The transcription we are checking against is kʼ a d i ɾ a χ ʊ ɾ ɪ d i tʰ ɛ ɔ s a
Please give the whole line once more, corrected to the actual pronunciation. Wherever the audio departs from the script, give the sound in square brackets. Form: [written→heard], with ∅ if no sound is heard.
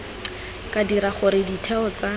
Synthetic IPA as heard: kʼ a d i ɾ a χ ʊ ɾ ɪ d i tʰ ɛ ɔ [s→t͡s] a